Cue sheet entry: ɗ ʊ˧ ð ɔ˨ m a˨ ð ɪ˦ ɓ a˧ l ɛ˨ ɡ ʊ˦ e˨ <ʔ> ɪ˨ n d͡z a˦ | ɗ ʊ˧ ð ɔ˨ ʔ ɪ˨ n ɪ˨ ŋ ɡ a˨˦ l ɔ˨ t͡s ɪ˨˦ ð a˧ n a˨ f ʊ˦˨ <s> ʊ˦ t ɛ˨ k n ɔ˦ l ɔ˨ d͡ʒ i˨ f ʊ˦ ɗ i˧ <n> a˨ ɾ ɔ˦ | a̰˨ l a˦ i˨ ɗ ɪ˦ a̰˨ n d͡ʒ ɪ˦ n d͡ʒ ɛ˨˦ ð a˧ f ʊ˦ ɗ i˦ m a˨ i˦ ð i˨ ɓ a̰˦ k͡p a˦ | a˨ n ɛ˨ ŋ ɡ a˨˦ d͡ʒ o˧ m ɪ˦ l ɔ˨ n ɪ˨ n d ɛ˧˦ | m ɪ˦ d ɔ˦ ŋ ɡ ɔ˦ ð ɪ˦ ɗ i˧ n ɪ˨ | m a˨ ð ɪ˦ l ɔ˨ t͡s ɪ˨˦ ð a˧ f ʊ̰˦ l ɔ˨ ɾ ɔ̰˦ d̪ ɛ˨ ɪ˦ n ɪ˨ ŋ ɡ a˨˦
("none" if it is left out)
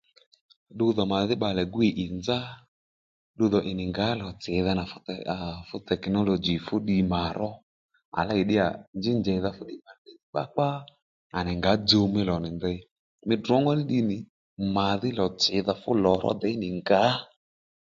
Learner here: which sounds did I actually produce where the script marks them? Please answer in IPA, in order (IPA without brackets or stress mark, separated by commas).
ʔ, f, m